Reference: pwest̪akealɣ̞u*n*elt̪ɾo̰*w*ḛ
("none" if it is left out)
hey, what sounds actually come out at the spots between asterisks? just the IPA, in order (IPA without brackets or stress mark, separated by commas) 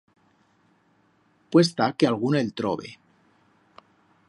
n, β